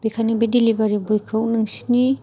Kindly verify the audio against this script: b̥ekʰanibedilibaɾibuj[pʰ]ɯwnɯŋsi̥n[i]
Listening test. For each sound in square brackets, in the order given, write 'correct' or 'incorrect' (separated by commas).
incorrect, correct